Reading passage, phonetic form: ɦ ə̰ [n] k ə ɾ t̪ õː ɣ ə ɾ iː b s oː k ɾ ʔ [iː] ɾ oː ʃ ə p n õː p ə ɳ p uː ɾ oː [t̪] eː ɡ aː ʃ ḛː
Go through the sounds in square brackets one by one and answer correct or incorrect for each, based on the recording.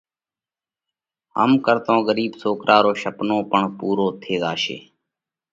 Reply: incorrect: m, incorrect: aː, incorrect: t̪ʰ

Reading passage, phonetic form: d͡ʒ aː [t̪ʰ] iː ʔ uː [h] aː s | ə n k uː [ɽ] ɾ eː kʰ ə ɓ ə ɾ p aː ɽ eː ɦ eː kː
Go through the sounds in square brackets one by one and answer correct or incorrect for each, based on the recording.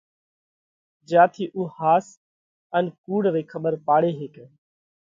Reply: correct, correct, correct

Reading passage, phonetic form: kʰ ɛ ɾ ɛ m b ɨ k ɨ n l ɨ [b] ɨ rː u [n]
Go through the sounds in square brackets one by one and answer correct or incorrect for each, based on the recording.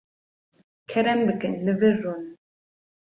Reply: incorrect: v, correct

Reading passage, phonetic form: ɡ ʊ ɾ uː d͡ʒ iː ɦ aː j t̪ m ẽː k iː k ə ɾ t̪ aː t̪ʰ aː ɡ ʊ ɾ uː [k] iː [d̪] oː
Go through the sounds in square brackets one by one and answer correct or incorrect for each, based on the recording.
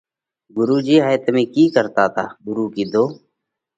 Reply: correct, correct

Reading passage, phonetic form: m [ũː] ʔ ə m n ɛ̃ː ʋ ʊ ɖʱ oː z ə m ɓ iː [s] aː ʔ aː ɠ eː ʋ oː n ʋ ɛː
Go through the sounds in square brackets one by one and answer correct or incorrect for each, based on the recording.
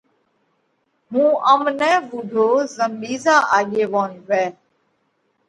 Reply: correct, incorrect: z

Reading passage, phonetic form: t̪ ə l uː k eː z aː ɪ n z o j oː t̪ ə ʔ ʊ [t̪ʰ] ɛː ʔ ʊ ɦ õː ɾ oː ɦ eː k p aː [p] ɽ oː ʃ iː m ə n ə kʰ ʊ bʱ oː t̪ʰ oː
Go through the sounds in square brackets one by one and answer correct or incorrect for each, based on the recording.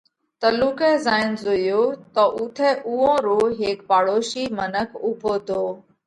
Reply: correct, incorrect: none

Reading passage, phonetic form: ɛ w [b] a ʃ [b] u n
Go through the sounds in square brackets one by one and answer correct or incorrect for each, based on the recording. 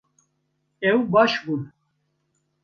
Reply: correct, correct

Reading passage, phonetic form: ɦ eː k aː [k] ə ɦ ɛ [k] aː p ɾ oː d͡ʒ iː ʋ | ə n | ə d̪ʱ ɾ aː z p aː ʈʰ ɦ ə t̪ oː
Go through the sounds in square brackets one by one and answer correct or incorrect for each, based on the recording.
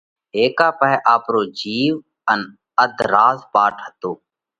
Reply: incorrect: p, incorrect: ʔ

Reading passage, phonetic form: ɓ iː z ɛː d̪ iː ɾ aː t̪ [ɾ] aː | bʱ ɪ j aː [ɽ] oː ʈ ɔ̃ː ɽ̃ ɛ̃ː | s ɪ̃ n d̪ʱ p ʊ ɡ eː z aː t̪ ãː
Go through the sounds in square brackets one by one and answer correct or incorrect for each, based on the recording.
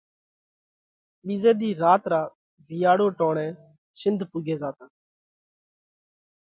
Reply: correct, correct

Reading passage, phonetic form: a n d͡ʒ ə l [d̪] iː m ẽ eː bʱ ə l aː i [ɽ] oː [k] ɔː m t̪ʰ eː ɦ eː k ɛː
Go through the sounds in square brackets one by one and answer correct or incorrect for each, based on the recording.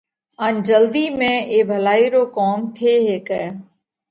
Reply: correct, incorrect: ɾ, correct

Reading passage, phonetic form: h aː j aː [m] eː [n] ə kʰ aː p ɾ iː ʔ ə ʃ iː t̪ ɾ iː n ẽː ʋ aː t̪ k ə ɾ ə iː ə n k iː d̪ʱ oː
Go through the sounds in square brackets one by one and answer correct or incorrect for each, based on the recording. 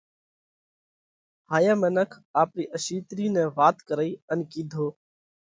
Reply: correct, correct

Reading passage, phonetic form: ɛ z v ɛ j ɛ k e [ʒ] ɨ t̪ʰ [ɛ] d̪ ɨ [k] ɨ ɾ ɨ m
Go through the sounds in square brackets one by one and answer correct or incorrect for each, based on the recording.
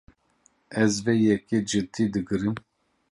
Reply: incorrect: d͡ʒ, incorrect: i, incorrect: ɡ

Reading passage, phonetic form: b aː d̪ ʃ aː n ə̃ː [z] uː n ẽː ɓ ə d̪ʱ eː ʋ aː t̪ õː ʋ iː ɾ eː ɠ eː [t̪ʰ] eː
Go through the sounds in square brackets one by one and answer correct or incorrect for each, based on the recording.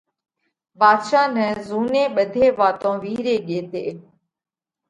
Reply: correct, incorrect: t̪

